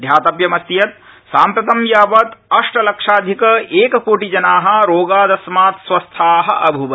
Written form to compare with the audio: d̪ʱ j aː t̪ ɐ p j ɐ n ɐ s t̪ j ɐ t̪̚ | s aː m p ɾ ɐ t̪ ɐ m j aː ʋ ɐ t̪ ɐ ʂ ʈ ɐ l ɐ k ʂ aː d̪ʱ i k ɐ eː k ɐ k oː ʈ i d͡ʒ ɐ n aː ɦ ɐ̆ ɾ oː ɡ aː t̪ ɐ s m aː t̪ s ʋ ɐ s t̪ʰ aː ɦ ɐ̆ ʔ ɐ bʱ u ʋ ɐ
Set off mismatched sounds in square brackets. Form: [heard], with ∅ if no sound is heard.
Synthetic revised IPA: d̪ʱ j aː t̪ ɐ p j ɐ [m] ɐ s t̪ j ɐ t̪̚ | s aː m p ɾ ɐ t̪ ɐ m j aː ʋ ɐ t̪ ɐ ʂ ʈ ɐ l ɐ k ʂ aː d̪ʱ i k ɐ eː k ɐ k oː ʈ i d͡ʒ ɐ n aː ɦ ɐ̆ ɾ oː ɡ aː [d̪] ɐ s m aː t̪ s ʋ ɐ s t̪ʰ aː ɦ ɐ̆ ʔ ɐ bʱ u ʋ ɐ